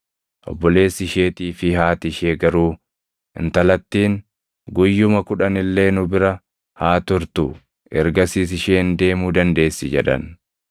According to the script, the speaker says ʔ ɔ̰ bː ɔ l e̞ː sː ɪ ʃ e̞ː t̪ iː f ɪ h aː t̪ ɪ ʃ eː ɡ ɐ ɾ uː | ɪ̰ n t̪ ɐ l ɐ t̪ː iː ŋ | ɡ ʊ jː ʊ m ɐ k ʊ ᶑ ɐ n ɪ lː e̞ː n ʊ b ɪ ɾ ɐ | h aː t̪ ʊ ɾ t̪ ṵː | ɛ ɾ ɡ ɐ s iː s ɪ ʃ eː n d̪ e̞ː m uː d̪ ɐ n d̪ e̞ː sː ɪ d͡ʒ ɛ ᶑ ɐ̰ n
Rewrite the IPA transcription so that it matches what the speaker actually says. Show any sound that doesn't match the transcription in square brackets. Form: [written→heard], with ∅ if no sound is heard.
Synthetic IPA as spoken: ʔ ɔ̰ bː ɔ l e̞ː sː ɪ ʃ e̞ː t̪ iː f ɪ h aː t̪ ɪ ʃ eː ɡ ɐ ɾ uː | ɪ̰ n t̪ ɐ l ɐ t̪ː iː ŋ | ɡ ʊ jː ʊ m ɐ k ʊ ᶑ ɐ n ɪ lː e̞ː n ʊ b ɪ ɾ ɐ | h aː t̪ ʊ ɾ t̪ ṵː | ɛ ɾ ɡ ɐ s iː s ɪ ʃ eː n d̪ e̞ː m uː d̪ ɐ n d̪ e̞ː sː ɪ d͡ʒ ɛ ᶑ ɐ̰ n

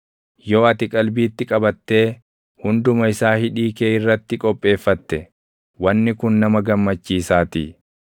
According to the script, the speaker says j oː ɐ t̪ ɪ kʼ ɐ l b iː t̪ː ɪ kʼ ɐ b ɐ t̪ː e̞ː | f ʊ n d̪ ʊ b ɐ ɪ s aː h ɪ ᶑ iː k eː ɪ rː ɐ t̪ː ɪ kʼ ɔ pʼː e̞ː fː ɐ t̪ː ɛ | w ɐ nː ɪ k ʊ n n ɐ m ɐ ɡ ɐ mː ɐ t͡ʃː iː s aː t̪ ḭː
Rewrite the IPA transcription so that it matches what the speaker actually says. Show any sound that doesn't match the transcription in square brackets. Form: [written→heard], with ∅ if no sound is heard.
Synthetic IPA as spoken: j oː ɐ t̪ ɪ kʼ ɐ l b iː t̪ː ɪ kʼ ɐ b ɐ t̪ː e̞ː | [f→h] ʊ n d̪ ʊ [b→m] ɐ ɪ s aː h ɪ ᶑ iː k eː ɪ rː ɐ t̪ː ɪ kʼ ɔ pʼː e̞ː fː ɐ t̪ː ɛ | w ɐ nː ɪ k ʊ n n ɐ m ɐ ɡ ɐ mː ɐ t͡ʃː iː s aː t̪ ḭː

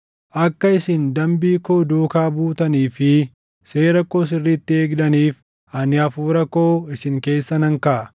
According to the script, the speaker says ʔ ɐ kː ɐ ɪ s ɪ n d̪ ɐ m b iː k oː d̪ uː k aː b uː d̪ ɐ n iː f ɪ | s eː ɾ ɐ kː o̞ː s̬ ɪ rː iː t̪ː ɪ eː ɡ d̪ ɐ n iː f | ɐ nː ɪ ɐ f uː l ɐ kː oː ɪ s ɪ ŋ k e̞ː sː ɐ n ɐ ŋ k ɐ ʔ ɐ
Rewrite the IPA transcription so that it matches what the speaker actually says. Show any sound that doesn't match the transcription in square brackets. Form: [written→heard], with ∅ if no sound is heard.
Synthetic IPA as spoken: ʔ ɐ kː ɐ ɪ s ɪ n d̪ ɐ m b iː k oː d̪ uː k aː b uː [d̪→t̪] ɐ n iː f ɪ | s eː ɾ ɐ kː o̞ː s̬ ɪ rː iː t̪ː ɪ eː ɡ d̪ ɐ n iː f | ɐ [nː→n] ɪ ɐ f uː [l→ɾ] ɐ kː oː ɪ s ɪ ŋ k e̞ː sː ɐ n ɐ ŋ k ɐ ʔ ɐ

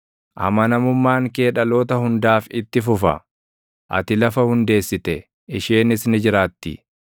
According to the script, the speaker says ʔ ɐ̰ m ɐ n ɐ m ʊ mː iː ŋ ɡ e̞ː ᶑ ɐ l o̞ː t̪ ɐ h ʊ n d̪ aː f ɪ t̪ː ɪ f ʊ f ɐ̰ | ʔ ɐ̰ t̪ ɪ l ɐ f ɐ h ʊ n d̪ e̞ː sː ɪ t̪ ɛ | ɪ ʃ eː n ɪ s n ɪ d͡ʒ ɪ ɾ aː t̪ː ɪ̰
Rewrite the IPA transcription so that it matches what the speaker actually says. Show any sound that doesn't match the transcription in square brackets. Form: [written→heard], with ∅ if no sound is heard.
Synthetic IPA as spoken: ʔ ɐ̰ m ɐ n ɐ m ʊ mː [iː→aː] ŋ [ɡ→k] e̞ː ᶑ ɐ l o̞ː t̪ ɐ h ʊ n d̪ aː f ɪ t̪ː ɪ f ʊ f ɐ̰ | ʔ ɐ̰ t̪ ɪ l ɐ f ɐ h ʊ n d̪ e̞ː sː ɪ t̪ ɛ | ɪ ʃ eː n ɪ s n ɪ d͡ʒ ɪ ɾ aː t̪ː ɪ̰

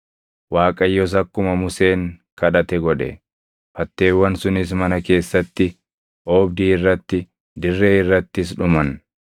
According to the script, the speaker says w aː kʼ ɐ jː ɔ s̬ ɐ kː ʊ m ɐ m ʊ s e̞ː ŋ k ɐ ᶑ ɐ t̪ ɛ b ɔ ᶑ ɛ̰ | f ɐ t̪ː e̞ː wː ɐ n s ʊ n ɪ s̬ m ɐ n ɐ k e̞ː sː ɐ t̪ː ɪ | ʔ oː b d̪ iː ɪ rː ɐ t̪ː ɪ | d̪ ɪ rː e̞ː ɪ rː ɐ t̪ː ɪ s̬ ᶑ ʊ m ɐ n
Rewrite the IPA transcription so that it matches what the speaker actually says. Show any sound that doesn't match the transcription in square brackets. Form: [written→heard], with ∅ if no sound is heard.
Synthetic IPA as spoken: w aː kʼ ɐ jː ɔ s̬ ɐ kː ʊ m ɐ m ʊ s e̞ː ŋ k ɐ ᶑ ɐ t̪ ɛ [b→ɡ] ɔ ᶑ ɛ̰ | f ɐ t̪ː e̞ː wː ɐ n s ʊ n ɪ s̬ m ɐ n ɐ k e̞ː sː ɐ t̪ː ɪ | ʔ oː b d̪ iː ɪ rː ɐ t̪ː ɪ | d̪ ɪ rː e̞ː ɪ rː ɐ t̪ː ɪ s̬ ᶑ ʊ m ɐ n

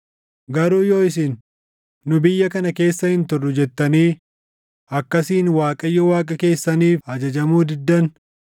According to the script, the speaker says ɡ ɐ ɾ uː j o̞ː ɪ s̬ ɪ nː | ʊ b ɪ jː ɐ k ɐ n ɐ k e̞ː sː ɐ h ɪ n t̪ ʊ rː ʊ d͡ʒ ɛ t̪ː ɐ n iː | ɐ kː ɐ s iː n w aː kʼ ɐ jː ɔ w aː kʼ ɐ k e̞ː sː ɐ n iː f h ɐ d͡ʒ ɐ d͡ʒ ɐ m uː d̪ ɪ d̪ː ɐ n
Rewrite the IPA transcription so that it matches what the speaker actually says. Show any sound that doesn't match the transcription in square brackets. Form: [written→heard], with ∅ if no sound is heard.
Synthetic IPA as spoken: ɡ ɐ ɾ uː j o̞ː ɪ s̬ ɪ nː | ʊ b ɪ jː ɐ k ɐ n ɐ k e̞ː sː ɐ h ɪ n t̪ ʊ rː ʊ d͡ʒ ɛ t̪ː ɐ n iː | ɐ kː ɐ s iː n w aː kʼ ɐ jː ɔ w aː kʼ ɐ k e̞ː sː ɐ n iː f h ɐ d͡ʒ ɐ d͡ʒ ɐ m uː d̪ ɪ d̪ː ɐ n

